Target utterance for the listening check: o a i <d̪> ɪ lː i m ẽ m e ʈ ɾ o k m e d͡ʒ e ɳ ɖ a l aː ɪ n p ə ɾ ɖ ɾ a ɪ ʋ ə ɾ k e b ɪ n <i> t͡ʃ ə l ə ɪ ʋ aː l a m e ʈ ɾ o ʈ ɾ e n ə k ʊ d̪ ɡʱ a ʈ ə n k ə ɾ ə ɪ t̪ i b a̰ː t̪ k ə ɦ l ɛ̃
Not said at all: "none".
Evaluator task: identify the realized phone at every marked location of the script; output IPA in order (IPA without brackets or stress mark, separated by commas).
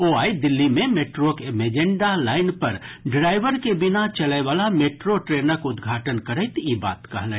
d̪, a